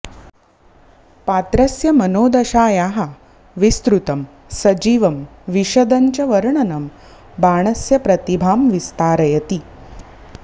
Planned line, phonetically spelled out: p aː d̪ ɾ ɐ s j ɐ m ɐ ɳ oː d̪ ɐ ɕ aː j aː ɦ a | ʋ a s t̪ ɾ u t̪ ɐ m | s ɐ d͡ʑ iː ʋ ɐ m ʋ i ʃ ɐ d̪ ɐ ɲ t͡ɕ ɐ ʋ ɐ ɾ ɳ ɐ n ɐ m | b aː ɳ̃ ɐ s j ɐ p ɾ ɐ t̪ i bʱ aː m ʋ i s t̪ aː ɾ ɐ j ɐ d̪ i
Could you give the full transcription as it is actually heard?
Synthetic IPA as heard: p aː t̪ ɾ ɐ s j ɐ m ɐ n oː d̪ ɐ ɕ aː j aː ɦ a | ʋ i s t̪ ɾ u t̪ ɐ m | s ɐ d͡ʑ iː ʋ ɐ m ʋ i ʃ ɐ d̪ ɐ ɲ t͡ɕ ɐ ʋ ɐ ɾ ɳ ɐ n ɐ m | b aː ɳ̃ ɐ s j ɐ p ɾ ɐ t̪ i bʱ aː m ʋ i s t̪ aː ɾ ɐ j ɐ t̪ i